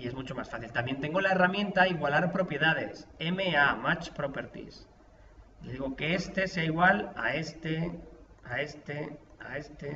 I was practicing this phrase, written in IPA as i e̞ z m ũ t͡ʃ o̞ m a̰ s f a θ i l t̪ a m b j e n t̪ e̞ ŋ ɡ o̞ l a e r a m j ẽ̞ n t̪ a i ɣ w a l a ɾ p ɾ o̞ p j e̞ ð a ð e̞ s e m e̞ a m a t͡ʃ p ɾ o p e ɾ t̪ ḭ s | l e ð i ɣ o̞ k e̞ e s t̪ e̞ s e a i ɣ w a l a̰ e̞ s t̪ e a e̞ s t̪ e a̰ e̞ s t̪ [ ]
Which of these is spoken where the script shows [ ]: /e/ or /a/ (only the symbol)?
e